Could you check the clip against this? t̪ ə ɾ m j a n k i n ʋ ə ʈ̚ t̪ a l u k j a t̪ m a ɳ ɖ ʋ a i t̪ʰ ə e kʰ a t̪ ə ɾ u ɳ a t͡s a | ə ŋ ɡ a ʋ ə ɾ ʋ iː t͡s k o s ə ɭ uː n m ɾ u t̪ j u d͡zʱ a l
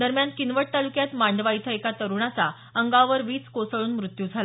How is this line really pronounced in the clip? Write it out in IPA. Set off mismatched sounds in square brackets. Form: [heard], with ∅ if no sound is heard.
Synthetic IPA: [d̪] ə ɾ m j a n k i n ʋ ə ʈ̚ t̪ a l u k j a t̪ m a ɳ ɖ ʋ a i t̪ʰ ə e [k] a t̪ ə ɾ u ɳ a t͡s a | ə ŋ ɡ a ʋ ə ɾ ʋ iː t͡s k o s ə ɭ uː n m ɾ u t̪ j u d͡zʱ a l